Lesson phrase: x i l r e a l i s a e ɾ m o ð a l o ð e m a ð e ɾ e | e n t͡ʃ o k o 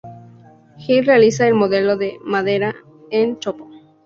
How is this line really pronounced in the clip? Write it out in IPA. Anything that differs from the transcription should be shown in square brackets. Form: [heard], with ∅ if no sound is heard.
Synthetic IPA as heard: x i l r e a l i s a e [l] m o ð [e] l o ð e m a ð e ɾ [a] | e n t͡ʃ o [p] o